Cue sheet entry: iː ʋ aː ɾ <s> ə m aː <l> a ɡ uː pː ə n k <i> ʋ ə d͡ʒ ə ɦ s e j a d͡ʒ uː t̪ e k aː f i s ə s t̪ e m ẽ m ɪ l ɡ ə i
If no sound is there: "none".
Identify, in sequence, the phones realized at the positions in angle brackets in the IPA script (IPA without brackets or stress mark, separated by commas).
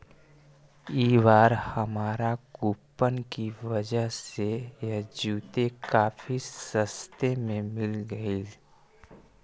h, ɾ, i